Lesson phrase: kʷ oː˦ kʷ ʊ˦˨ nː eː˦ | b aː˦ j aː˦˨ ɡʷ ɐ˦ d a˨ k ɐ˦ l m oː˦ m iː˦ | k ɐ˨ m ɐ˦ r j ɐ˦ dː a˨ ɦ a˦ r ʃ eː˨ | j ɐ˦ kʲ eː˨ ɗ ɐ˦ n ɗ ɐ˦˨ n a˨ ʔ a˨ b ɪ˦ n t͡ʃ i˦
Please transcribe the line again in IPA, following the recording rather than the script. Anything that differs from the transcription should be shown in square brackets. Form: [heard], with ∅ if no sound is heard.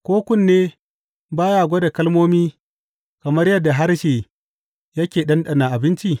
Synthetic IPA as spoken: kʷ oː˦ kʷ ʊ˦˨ nː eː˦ | b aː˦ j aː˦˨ ɡʷ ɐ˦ d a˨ k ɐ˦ l m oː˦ m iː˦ | k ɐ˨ m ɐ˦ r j ɐ˦ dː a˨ ɦ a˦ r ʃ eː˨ | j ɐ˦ kʲ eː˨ ɗ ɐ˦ n ɗ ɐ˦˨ n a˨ ʔ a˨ b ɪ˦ n t͡ʃ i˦